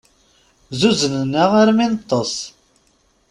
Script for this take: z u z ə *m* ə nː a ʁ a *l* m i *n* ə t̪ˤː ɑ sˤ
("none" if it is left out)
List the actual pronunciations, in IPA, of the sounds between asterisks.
n, ɾ, n

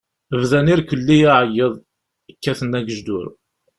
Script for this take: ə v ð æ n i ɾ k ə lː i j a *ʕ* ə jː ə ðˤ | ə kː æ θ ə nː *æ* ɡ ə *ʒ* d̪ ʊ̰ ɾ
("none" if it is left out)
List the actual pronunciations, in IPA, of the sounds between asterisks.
ʕ, æ, ʒ

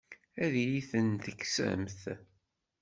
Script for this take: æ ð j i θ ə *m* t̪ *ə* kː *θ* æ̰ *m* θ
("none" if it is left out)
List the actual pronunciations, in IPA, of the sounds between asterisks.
n, ə, s, m

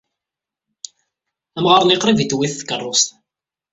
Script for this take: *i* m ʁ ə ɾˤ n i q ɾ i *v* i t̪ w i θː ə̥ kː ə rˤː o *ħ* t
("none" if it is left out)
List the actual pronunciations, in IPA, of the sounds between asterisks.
æ, v, s

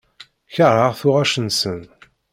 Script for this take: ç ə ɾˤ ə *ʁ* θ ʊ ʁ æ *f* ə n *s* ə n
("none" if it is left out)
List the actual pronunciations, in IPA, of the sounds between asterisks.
ʁ, ʃ, s

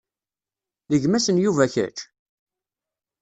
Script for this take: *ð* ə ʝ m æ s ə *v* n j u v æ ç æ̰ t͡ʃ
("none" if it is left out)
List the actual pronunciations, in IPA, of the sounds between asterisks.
ð, none

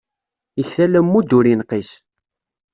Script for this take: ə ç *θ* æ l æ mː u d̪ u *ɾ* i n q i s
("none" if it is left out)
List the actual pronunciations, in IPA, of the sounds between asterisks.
θ, ɾ

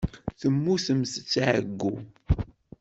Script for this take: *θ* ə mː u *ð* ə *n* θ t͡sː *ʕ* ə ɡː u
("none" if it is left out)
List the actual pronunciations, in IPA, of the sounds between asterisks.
θ, θ, m, ʕ

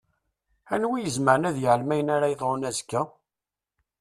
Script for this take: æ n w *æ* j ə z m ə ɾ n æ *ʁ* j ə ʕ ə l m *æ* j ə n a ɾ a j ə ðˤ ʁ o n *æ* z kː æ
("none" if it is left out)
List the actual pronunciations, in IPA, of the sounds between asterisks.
i, ð, æ, æ

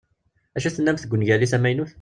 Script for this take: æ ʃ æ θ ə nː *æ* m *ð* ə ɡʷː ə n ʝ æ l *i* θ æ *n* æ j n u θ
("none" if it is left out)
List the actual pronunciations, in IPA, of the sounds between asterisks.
æ, θ, i, m

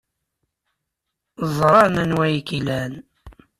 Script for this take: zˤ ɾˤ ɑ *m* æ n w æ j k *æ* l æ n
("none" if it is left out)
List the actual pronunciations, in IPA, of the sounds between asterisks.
n, i

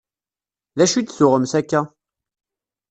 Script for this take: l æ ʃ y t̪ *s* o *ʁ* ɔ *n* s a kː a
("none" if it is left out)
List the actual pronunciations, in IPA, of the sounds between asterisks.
s, ʁ, m

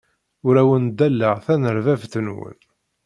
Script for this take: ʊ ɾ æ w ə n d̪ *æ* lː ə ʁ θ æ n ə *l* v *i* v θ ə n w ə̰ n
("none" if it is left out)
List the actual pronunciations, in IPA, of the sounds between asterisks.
æ, ɾ, æ

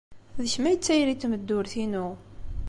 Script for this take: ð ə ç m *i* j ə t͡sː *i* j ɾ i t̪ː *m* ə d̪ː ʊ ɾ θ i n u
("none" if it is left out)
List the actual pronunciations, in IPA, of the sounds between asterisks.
æ, æ, m

